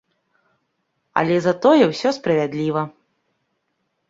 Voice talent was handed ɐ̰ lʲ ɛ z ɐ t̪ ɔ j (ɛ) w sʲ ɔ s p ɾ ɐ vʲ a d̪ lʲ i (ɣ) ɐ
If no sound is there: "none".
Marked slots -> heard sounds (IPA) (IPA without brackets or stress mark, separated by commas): ɛ, v